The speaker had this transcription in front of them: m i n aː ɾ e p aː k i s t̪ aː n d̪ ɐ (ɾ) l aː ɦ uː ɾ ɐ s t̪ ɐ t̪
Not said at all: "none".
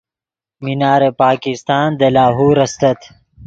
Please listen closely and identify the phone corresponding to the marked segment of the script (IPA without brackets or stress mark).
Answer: none